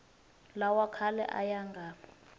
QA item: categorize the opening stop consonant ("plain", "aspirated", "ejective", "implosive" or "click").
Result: aspirated